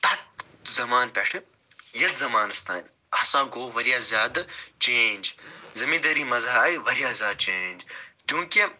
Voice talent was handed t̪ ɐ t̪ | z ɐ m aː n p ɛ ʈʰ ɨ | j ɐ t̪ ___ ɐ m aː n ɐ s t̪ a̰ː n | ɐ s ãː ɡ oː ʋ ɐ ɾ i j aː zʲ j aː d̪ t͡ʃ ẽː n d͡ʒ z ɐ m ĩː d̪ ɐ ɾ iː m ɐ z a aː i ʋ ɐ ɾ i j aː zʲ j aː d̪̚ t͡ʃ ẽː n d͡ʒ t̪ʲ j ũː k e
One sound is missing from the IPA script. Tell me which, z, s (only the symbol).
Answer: z